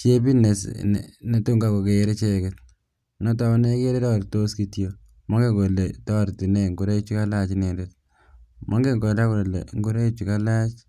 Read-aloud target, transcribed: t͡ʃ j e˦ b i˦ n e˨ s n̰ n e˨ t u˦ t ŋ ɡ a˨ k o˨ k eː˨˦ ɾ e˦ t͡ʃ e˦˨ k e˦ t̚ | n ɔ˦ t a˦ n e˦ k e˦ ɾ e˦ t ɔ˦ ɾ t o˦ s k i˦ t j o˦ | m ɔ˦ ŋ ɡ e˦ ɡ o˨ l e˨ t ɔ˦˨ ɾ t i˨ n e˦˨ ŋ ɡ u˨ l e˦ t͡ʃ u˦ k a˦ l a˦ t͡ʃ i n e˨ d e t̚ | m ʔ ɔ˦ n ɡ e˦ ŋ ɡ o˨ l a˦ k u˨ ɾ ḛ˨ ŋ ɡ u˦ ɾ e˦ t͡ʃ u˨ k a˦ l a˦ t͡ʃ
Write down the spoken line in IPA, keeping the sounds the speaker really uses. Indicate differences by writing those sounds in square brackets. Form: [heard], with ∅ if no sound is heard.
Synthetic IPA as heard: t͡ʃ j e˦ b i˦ n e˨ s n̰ n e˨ t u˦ [∅] ŋ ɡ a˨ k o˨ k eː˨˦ ɾ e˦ t͡ʃ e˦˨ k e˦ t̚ | n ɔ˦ t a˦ n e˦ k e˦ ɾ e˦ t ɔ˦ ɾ t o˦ s k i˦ t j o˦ | m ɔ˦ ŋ ɡ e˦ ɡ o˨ l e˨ t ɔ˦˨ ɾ t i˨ n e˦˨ ŋ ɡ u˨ [ɾ] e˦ t͡ʃ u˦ k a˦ l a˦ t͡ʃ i n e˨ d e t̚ | m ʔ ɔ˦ [ŋ] ɡ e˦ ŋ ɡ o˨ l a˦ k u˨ [l] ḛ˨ ŋ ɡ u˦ ɾ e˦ t͡ʃ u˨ k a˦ l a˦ t͡ʃ